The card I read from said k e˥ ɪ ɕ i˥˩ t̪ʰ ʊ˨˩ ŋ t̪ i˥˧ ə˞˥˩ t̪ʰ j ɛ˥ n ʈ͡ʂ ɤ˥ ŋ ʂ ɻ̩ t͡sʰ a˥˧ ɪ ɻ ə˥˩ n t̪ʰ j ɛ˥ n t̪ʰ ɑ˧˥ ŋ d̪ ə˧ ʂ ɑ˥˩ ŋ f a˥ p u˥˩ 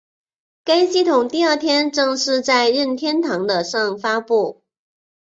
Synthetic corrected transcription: k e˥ ɪ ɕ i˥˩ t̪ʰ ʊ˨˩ ŋ t̪ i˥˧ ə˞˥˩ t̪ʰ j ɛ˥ n ʈ͡ʂ ɤ˥˧ ŋ ʂ ɻ̩ t͡s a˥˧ ɪ ɻ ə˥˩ n t̪ʰ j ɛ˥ n t̪ʰ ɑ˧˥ ŋ d̪ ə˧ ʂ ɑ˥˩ ŋ f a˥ p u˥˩